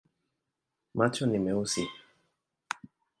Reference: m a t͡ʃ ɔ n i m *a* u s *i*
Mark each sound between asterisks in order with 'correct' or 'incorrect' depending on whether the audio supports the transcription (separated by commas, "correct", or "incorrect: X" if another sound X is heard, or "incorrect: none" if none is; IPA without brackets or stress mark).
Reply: incorrect: ɛ, correct